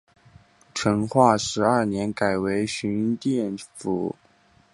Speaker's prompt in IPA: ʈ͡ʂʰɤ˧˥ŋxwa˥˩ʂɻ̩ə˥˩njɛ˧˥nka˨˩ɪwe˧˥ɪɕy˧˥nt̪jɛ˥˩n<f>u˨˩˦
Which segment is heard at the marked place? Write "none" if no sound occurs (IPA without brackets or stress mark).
f